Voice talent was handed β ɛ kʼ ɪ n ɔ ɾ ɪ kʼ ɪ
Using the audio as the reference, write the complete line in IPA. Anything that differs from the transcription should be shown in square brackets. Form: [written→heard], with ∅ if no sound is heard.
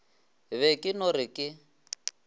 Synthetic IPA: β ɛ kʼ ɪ n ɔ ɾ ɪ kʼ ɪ